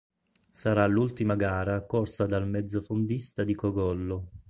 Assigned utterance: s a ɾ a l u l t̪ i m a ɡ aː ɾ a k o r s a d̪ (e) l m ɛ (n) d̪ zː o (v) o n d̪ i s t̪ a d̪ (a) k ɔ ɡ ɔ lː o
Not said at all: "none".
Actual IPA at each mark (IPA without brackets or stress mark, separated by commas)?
a, none, f, i